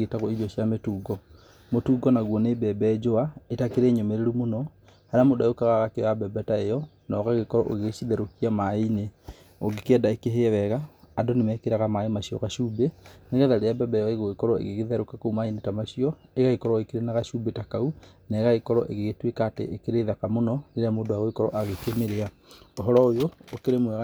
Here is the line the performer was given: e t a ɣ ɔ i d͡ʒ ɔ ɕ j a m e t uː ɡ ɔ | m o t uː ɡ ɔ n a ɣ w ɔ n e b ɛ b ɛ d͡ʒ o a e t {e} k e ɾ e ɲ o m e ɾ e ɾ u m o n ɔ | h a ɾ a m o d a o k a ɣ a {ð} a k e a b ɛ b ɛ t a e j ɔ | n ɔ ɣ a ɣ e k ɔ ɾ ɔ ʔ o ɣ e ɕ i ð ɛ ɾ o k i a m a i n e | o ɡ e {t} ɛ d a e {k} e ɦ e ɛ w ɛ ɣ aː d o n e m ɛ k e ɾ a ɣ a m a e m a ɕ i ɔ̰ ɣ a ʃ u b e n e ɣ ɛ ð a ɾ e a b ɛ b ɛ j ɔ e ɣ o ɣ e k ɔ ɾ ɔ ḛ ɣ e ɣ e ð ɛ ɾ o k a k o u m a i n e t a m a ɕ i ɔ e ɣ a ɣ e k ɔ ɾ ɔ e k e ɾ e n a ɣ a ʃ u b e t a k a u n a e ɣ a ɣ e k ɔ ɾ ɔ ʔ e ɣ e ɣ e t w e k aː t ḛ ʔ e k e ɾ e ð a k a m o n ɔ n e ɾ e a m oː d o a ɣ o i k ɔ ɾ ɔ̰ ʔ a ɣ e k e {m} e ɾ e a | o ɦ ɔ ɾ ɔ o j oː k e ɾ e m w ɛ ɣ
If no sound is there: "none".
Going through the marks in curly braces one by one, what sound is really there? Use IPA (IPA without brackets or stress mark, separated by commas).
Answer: a, ɣ, k, k, m